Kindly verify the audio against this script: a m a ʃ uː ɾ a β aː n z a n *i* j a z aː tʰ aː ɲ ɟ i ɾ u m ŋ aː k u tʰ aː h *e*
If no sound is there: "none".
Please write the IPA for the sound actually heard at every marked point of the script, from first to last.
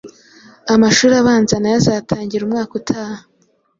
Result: a, a

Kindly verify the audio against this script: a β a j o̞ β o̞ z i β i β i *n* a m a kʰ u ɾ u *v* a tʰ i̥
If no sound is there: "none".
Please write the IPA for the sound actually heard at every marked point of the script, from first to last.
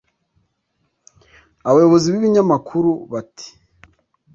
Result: ɲ, β

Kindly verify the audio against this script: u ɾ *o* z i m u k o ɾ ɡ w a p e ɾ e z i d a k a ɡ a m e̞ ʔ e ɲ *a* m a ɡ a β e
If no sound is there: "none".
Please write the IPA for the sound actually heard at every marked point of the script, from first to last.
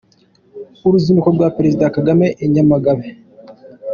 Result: u, a

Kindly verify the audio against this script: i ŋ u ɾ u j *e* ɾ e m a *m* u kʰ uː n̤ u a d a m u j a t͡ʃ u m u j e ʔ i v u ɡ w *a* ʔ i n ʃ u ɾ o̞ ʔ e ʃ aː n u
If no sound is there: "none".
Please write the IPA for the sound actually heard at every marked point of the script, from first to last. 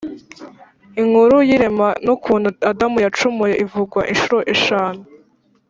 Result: i, n, a

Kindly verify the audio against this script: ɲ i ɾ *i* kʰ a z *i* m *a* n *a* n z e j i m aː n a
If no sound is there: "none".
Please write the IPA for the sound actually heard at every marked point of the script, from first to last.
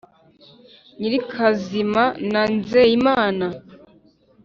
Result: i, i, a, a

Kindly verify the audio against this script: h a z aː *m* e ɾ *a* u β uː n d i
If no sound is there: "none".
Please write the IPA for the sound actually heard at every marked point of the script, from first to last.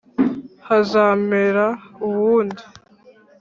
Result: m, a

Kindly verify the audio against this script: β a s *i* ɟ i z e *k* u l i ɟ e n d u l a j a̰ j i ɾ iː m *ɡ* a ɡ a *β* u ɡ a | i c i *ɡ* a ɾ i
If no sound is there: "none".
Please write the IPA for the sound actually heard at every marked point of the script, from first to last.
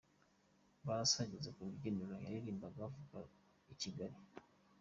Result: a, k, b, v, ɡ

